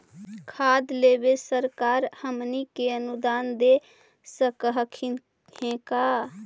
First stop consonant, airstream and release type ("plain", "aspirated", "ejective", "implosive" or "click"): aspirated